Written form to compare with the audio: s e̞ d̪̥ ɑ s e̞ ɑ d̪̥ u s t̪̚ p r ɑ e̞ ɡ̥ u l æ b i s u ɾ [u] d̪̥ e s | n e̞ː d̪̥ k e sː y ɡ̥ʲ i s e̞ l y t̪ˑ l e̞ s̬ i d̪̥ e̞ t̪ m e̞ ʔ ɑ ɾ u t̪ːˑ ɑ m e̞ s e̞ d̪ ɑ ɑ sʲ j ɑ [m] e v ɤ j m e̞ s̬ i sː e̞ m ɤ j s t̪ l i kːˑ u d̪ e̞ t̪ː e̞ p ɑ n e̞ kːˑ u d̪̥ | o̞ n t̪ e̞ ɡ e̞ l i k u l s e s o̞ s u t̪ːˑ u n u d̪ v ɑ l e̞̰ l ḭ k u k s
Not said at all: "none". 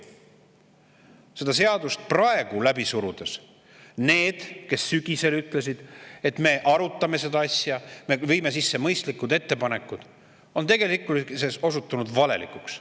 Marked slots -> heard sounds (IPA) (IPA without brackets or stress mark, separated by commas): u, m